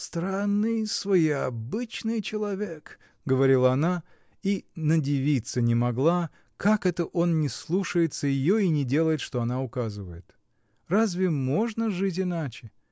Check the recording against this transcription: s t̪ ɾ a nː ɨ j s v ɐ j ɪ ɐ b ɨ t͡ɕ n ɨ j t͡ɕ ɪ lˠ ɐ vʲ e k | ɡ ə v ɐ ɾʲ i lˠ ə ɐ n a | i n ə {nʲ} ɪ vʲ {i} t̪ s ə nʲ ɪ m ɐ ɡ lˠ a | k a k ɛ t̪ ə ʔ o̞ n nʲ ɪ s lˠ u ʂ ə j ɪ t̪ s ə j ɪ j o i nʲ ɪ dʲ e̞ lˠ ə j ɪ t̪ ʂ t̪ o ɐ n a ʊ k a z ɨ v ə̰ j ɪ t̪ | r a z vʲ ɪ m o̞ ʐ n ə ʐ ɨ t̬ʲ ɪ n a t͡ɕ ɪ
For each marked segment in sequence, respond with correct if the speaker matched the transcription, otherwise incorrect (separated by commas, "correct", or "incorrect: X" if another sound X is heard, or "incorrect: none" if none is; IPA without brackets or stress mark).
incorrect: dʲ, correct